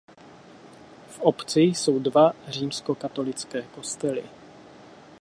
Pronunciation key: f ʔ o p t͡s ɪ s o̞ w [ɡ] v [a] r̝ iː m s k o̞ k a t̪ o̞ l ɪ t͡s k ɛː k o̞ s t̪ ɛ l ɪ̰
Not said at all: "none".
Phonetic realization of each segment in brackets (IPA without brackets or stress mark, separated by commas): d, a